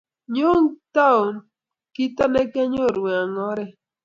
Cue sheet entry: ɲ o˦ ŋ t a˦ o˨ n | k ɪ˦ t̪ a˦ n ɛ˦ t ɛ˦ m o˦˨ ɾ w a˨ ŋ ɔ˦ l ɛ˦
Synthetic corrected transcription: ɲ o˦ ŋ t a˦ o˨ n | k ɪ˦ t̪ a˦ n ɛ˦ k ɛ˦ ɲ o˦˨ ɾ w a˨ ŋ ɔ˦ ɾ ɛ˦

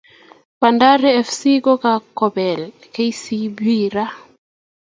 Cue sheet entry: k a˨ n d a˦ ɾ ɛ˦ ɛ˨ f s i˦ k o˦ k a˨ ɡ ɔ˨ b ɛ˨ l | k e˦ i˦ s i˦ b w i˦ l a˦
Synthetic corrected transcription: p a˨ n d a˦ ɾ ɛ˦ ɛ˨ f s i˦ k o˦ k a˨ k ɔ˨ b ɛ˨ l | k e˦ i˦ s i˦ b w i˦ ɾ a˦

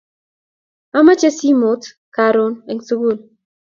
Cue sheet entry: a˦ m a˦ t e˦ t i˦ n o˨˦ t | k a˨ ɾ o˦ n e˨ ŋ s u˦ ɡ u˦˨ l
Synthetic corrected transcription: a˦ m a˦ t͡ʃ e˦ s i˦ m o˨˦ t | k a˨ ɾ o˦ n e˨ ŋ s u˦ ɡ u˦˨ l

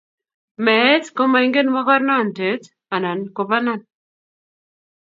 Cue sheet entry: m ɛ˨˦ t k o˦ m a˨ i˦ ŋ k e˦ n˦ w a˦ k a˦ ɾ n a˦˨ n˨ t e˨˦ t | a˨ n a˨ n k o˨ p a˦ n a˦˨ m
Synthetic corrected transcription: m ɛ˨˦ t k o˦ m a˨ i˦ ŋ ɡ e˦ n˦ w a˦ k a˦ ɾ n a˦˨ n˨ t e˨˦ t | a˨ n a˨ n k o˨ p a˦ n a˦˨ n

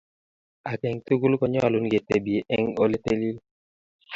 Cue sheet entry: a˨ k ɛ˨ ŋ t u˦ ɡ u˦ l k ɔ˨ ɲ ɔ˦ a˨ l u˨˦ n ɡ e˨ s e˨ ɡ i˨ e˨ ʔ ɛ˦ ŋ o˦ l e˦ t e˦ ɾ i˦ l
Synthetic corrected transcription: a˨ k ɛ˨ ŋ t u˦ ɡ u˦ l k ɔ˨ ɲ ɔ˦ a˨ l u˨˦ n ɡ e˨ t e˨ b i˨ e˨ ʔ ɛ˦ ŋ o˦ l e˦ t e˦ l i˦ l

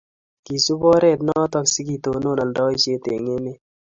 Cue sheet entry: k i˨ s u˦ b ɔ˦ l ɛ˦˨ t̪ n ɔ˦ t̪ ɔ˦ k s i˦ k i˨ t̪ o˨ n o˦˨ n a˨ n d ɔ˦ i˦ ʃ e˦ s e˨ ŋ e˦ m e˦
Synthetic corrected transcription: k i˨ s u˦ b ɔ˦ ɾ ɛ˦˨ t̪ n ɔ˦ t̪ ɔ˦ k s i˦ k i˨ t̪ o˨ n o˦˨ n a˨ n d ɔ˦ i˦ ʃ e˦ t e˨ ŋ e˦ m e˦

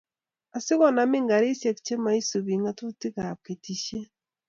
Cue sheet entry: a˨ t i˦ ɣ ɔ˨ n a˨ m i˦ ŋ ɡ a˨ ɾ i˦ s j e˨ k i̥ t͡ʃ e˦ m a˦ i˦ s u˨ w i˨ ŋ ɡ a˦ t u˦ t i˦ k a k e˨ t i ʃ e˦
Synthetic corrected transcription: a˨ s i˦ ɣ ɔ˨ n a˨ m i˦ ŋ ɡ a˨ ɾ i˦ s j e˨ k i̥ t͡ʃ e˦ m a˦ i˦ s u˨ β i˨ ŋ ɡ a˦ t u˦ t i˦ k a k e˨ t i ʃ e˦

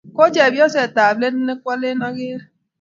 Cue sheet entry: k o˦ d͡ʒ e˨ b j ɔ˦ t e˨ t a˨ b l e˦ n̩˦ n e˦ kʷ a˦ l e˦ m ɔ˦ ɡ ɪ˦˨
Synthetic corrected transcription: k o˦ d͡ʒ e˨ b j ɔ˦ s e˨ t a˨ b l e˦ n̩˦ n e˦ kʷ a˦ l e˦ n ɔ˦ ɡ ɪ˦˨

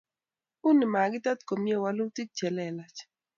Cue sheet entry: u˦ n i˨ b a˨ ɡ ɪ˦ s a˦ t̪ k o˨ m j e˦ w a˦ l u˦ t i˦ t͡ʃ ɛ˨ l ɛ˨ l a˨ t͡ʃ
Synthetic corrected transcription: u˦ n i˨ m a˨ ɡ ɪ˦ t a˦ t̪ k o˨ m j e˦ w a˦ l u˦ t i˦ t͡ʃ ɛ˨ l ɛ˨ l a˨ t͡ʃ

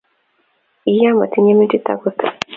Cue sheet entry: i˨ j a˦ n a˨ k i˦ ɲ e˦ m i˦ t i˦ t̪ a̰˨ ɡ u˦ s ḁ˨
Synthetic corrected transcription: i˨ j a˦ m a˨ t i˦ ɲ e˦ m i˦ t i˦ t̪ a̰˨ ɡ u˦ t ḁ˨

